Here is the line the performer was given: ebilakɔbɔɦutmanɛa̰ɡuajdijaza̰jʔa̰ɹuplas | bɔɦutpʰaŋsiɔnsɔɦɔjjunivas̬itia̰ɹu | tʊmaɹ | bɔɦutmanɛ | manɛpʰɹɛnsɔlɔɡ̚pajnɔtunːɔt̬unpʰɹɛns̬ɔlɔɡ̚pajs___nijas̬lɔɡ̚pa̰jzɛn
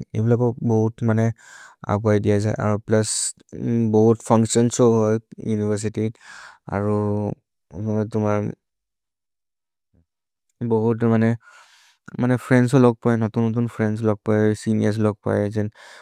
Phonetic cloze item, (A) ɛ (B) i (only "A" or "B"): B